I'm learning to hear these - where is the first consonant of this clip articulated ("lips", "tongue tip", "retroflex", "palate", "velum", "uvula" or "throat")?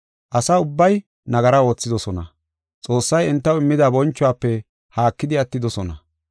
throat